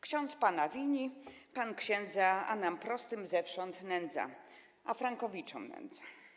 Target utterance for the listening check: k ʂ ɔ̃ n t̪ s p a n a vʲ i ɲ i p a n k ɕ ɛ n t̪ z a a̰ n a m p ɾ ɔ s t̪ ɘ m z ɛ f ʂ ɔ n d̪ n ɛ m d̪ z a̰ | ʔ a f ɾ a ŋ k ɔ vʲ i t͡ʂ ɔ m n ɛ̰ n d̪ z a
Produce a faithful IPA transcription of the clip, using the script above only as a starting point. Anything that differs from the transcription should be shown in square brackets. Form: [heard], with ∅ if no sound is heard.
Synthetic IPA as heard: k [ɕ] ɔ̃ n t̪ s p a n a vʲ i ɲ i p a n k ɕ ɛ n [d̪] z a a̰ n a m p ɾ ɔ s t̪ ɘ m z ɛ f ʂ ɔ n [t̪] n ɛ [n] d̪ z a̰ | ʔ a f ɾ a ŋ k ɔ vʲ i t͡ʂ ɔ m n ɛ̰ n d̪ z a